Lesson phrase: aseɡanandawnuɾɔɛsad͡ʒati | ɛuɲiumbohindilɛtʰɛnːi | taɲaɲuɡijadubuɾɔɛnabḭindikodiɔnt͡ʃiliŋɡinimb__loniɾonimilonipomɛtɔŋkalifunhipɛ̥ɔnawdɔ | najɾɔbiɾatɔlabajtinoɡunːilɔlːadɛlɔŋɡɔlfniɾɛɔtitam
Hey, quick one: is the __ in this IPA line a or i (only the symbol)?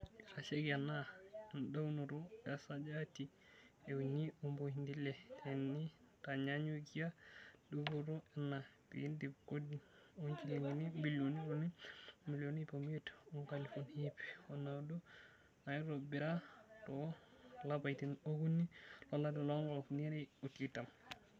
i